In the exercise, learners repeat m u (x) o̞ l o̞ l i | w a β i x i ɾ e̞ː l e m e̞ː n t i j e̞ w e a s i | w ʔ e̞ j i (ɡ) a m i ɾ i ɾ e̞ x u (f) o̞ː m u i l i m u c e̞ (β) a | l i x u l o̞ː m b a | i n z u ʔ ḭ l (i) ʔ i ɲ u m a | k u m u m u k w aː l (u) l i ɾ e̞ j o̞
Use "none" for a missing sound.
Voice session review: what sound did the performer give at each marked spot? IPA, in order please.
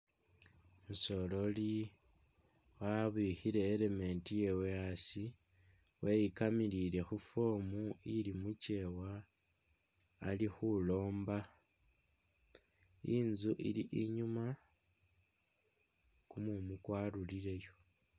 s, k, f, w, i, u

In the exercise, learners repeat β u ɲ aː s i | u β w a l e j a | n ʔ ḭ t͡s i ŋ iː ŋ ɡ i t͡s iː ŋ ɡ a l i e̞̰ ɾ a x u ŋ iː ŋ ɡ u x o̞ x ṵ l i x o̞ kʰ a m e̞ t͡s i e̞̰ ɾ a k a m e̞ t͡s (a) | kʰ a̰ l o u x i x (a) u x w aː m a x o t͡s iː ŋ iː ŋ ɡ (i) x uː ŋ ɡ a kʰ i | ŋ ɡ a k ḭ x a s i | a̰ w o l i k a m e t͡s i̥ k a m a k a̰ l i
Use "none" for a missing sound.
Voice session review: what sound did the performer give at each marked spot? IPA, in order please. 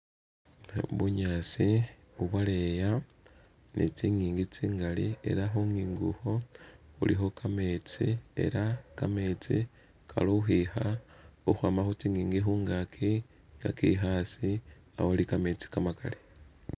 i, a, i

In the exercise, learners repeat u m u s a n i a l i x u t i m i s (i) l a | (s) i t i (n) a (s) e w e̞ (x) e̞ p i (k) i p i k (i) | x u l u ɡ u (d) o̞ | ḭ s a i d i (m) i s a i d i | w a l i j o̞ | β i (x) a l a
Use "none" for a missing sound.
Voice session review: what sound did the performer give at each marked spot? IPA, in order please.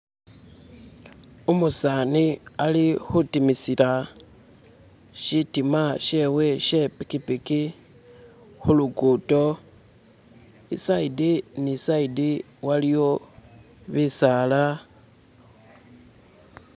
i, ʃ, m, ʃ, ʃ, k, i, t, n, s

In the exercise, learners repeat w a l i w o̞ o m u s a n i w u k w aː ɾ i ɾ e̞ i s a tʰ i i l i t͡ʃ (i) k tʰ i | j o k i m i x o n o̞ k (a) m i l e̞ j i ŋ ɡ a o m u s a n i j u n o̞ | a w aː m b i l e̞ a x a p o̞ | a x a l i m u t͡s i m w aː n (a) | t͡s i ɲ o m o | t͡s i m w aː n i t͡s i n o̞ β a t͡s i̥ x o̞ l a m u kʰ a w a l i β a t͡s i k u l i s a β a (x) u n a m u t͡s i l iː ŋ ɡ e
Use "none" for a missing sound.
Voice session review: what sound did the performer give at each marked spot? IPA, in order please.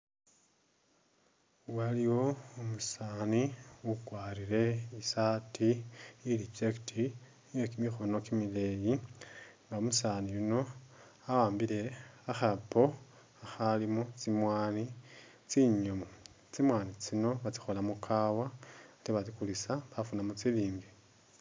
e, i, i, f

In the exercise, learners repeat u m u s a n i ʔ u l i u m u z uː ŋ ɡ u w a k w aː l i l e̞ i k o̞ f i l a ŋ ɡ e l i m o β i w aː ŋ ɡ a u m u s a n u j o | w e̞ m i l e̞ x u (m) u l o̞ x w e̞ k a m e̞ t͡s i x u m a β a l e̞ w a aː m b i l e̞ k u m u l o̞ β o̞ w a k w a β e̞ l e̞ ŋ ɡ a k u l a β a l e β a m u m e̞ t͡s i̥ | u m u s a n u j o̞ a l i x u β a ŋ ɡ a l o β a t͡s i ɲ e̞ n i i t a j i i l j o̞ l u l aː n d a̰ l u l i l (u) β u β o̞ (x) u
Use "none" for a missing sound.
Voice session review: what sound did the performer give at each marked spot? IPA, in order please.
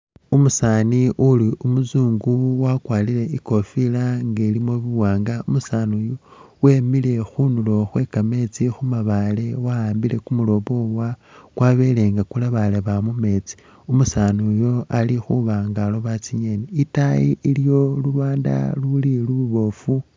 n, u, f

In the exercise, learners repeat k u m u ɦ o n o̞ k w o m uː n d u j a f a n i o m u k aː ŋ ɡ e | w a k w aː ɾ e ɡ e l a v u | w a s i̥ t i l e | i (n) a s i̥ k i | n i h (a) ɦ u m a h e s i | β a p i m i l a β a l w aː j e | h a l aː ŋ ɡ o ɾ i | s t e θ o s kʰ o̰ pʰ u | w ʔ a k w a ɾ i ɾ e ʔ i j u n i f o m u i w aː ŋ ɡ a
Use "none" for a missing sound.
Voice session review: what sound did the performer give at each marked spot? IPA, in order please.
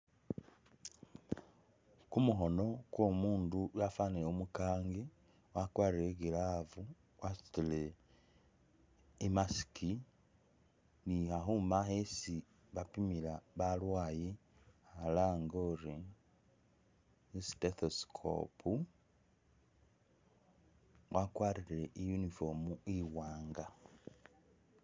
m, a

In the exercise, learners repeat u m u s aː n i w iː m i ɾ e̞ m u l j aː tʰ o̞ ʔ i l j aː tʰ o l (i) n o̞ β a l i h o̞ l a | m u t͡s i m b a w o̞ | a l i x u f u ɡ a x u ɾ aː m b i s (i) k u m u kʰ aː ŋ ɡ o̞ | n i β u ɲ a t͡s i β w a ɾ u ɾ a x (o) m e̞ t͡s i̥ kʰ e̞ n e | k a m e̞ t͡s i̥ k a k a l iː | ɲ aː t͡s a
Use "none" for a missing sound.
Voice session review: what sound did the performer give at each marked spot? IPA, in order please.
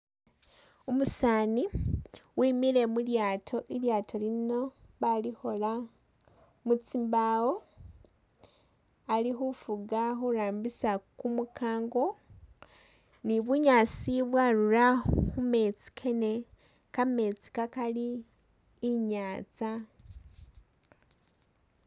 i, a, u

